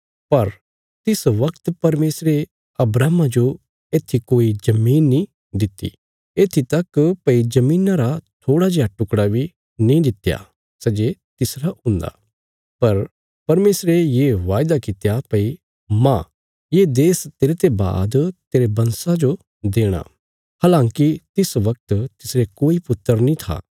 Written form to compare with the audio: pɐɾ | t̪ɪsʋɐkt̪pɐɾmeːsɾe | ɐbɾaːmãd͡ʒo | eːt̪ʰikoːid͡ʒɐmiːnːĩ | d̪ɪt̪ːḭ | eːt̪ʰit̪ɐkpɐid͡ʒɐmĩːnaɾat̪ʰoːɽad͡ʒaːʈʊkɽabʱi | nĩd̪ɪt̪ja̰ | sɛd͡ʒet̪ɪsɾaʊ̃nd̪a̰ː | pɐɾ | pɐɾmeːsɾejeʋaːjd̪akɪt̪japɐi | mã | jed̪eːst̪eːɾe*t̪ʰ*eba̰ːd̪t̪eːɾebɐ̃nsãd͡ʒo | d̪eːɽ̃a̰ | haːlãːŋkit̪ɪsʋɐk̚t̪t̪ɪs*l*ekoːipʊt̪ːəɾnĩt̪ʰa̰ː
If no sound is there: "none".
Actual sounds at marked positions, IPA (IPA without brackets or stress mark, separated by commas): t̪, ɾ